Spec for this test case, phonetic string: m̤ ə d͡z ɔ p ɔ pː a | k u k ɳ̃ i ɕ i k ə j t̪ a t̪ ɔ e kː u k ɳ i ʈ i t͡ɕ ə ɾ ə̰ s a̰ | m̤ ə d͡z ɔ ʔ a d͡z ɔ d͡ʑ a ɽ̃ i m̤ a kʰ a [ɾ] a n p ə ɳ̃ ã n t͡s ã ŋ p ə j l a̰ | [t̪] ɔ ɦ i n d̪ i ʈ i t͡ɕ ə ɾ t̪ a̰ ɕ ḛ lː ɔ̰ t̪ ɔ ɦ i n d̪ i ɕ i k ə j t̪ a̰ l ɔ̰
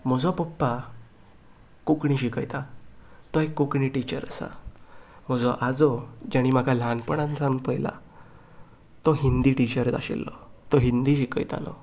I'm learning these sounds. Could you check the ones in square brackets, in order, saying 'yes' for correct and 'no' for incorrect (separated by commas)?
no, yes